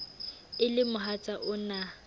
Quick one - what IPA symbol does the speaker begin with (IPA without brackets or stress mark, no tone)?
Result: ɪ